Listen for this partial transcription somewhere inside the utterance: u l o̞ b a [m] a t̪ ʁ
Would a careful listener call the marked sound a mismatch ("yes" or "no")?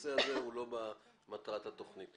no